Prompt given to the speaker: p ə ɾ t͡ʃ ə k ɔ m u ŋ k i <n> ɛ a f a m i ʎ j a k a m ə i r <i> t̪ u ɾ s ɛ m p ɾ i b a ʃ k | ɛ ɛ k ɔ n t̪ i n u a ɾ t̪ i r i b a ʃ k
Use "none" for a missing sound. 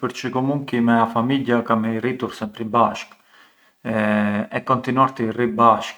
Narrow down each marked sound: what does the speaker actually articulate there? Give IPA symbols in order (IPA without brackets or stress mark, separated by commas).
m, i